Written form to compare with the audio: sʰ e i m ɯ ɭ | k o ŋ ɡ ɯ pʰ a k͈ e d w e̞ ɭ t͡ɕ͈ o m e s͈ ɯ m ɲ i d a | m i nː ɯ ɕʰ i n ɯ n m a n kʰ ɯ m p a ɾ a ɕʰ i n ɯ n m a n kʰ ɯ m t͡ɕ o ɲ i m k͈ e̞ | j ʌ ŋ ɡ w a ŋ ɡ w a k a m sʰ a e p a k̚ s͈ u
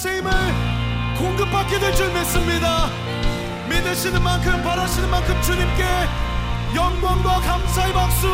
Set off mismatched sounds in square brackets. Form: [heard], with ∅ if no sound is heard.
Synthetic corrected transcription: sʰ e i m ɯ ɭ | k o ŋ ɡ ɯ pʰ a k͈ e d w e̞ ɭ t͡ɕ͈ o m e s͈ ɯ m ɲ i d a | m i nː ɯ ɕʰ i n ɯ n m a n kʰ ɯ m p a ɾ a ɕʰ i n ɯ n m a n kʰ ɯ m t͡ɕ [u] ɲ i m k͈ e̞ | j ʌ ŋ ɡ w a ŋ ɡ w a k a m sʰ a e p a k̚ s͈ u